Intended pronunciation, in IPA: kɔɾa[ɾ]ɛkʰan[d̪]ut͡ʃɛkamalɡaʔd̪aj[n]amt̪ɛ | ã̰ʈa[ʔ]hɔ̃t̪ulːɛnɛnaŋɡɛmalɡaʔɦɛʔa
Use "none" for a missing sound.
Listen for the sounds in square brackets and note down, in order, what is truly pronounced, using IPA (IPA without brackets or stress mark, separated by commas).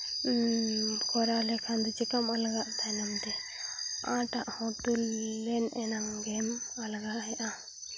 l, d̪, n, ʔ